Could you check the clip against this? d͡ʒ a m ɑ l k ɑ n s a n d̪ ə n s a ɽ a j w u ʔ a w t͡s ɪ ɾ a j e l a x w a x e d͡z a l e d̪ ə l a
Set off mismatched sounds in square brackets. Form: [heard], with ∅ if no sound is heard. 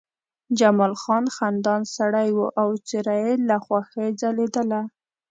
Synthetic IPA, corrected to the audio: d͡ʒ a m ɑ l [x] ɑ n [x] a n d̪ [ɑ] n s a ɽ a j w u ʔ a w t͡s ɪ ɾ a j e l a x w a x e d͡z a l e d̪ ə l a